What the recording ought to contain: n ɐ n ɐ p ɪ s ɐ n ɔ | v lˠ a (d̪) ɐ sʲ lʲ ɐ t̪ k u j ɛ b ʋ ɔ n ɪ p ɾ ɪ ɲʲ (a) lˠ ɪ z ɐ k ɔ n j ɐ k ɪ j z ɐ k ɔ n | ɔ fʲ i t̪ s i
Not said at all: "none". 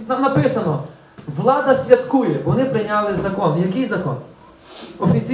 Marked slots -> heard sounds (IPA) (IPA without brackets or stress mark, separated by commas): d̪, a